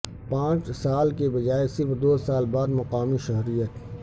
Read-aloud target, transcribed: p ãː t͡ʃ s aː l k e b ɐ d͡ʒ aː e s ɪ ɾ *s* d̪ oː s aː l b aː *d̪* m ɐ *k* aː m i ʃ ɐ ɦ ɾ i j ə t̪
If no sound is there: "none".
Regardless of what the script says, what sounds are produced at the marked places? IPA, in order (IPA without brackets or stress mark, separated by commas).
f, d̪, q